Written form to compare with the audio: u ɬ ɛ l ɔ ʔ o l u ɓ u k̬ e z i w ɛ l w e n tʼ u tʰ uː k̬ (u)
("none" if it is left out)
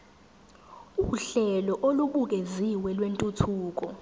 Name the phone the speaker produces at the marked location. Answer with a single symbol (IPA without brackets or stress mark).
ɔ